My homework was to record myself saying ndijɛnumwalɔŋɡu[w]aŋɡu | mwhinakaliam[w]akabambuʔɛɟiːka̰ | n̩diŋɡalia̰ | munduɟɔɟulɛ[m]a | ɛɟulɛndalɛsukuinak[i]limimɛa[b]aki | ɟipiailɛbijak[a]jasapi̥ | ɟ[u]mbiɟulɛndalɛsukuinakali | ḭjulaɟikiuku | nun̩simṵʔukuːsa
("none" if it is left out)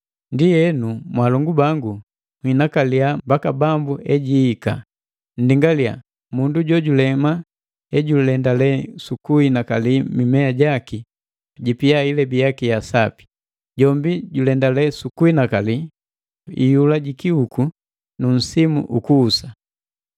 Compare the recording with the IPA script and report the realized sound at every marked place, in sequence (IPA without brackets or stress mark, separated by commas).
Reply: b, b, m, a, ɟ, i, ɔ